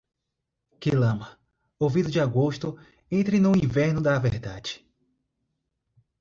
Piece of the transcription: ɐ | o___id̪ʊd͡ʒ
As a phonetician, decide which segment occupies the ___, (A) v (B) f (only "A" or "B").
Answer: A